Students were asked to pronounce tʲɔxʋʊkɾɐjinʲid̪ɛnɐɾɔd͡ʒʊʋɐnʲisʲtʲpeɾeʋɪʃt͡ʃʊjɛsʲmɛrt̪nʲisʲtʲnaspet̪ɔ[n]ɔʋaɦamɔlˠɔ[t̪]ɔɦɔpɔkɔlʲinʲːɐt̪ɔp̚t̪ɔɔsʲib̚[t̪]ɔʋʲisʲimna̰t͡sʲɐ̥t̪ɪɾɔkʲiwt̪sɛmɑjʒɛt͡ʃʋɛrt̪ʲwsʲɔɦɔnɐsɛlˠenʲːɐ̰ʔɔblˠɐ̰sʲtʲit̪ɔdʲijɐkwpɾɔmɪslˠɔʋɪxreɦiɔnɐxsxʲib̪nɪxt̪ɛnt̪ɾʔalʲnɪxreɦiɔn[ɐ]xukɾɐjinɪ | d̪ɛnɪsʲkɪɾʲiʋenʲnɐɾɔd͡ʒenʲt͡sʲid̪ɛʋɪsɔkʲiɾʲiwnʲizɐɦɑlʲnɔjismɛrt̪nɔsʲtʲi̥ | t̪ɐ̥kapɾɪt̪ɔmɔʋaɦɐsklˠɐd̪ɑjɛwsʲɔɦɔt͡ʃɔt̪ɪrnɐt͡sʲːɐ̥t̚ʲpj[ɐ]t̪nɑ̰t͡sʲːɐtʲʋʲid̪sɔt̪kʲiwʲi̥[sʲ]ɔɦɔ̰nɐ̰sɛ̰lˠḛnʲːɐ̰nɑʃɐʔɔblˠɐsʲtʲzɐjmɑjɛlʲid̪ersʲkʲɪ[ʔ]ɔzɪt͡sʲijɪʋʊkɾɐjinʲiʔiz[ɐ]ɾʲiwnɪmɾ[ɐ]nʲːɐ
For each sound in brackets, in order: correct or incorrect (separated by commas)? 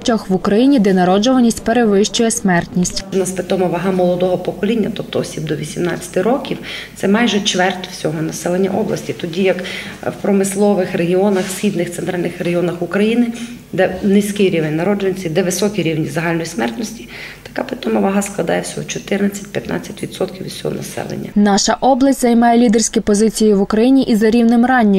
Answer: incorrect, incorrect, incorrect, correct, correct, correct, incorrect, correct, incorrect